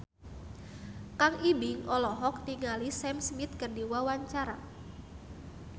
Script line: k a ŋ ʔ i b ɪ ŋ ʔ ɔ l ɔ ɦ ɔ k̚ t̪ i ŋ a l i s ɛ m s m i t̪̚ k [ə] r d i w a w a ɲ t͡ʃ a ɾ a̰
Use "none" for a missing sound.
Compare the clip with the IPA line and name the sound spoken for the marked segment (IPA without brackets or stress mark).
ə